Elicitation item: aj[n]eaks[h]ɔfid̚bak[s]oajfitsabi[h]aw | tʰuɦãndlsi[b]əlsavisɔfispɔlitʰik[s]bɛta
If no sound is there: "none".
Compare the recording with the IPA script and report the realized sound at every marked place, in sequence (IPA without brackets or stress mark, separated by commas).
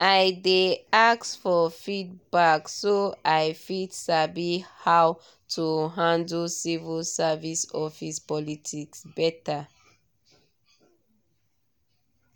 d, f, s, h, v, s